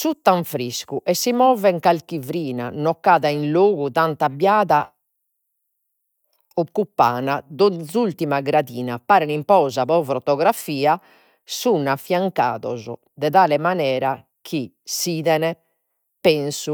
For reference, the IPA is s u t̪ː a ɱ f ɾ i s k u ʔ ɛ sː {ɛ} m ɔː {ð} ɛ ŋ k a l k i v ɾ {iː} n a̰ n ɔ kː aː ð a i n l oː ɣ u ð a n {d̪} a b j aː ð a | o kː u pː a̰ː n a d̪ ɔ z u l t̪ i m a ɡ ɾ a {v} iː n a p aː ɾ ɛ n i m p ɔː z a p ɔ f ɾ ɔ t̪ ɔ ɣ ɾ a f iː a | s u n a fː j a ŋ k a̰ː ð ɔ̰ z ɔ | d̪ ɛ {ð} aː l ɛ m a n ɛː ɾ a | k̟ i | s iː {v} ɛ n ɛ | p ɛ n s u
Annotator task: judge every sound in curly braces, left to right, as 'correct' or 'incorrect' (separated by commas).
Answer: incorrect, incorrect, correct, incorrect, incorrect, correct, incorrect